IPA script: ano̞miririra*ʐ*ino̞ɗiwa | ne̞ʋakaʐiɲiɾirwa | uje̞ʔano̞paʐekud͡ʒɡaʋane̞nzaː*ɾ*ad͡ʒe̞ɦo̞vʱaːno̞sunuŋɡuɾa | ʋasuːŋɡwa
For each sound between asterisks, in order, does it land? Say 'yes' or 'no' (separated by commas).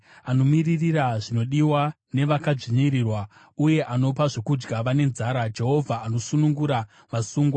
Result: yes, yes